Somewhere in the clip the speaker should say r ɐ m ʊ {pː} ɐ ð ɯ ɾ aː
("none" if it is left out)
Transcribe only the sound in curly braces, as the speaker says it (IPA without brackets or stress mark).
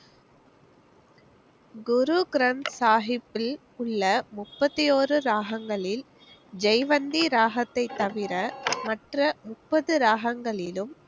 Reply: pː